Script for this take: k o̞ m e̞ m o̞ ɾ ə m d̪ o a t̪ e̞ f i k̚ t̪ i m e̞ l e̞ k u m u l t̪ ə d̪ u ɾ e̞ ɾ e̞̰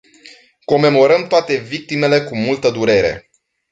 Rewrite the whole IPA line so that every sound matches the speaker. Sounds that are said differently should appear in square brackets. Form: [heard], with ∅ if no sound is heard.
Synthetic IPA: k o̞ m e̞ m o̞ ɾ ə m [t̪] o a t̪ e̞ [v] i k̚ t̪ i m e̞ l e̞ k u m u l t̪ ə d̪ u ɾ e̞ ɾ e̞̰